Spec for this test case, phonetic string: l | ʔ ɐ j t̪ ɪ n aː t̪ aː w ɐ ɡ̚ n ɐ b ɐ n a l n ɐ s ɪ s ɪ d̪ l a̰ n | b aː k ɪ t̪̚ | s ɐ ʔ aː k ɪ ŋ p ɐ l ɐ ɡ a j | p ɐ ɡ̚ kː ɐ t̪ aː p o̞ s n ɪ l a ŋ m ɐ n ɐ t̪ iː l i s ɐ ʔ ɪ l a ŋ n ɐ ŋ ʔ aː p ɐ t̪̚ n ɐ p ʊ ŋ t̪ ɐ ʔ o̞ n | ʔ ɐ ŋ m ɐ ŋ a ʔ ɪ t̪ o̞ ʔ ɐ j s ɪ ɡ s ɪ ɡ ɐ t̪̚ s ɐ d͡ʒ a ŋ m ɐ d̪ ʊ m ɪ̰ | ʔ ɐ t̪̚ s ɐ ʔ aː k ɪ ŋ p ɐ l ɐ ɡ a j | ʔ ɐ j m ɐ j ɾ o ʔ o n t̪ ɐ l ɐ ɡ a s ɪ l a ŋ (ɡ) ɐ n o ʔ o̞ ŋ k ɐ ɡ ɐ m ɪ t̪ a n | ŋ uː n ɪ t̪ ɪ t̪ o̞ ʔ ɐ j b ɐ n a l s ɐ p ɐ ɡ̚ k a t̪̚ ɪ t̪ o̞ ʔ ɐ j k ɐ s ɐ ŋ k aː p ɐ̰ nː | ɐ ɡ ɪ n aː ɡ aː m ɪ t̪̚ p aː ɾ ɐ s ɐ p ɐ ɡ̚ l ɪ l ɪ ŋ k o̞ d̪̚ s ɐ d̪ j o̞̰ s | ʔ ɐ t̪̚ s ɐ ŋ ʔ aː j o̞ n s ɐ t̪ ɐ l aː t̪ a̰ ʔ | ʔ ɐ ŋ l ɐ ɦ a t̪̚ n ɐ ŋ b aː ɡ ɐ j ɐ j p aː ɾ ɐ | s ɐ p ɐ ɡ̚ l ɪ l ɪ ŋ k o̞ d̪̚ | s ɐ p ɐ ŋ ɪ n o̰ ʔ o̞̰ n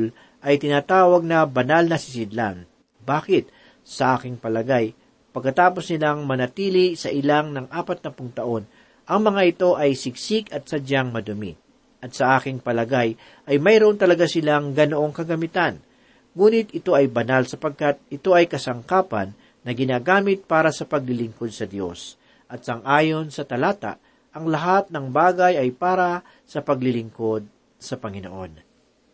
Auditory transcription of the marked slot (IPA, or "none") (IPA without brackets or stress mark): ɡ